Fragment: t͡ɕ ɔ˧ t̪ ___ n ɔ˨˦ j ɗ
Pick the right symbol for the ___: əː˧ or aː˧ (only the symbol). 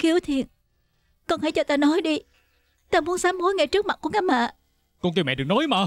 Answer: aː˧